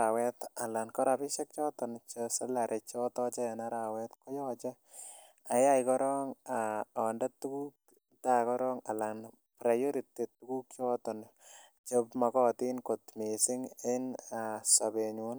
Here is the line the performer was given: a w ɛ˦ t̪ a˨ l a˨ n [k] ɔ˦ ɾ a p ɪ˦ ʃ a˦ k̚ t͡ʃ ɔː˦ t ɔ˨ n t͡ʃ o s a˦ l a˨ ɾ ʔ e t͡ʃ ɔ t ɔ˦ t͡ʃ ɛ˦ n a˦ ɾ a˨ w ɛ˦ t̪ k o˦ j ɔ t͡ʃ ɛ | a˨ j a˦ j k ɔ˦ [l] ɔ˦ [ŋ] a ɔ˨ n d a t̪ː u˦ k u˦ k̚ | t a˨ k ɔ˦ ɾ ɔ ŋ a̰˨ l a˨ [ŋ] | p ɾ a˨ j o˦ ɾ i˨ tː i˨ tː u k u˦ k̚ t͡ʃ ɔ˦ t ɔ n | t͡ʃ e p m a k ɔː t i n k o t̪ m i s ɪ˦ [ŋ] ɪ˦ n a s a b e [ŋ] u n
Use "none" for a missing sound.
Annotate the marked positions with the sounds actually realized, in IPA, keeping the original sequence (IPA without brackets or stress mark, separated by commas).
k, ɾ, ŋ, n, ŋ, ɲ